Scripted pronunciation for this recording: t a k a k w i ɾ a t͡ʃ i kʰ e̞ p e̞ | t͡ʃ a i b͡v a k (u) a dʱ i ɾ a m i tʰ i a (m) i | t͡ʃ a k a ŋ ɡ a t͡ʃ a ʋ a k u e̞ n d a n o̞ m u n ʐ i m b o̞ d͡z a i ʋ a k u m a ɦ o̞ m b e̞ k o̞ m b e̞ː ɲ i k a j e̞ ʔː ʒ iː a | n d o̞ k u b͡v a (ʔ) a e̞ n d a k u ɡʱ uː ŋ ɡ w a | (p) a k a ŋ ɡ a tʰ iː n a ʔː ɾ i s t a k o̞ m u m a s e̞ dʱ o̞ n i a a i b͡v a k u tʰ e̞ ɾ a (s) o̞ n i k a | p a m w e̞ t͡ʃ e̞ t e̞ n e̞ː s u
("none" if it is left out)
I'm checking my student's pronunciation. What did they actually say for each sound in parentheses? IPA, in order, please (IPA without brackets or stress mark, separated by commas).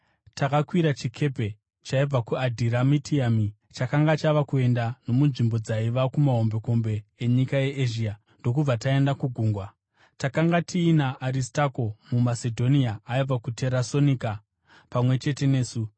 u, m, t, t, s